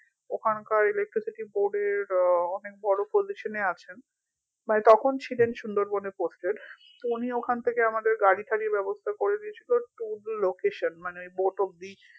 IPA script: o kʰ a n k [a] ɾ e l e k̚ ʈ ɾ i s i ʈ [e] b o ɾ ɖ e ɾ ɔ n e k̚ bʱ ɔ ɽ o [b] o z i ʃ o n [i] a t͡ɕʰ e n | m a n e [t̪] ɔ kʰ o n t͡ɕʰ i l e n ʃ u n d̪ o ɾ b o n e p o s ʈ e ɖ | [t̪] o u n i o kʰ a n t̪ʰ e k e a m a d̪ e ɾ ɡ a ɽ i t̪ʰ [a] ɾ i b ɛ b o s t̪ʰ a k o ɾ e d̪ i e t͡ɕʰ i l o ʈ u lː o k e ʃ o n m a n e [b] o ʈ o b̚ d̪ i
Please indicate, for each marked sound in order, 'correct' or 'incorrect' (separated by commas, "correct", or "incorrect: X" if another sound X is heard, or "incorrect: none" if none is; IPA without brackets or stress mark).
correct, incorrect: i, incorrect: p, incorrect: e, correct, correct, correct, correct